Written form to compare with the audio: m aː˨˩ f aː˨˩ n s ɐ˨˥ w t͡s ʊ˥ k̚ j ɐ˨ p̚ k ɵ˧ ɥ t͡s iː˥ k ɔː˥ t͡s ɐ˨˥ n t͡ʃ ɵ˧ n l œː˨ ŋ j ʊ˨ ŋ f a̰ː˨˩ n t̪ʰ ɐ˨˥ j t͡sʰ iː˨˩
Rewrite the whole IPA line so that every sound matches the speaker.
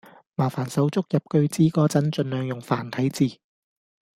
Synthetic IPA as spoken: m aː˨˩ f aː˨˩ n s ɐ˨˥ w t͡s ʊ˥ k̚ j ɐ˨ p̚ k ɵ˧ ɥ t͡s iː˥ k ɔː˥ t͡s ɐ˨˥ n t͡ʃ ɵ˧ n l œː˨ ŋ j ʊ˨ ŋ f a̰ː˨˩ n t̪ʰ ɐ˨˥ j t͡s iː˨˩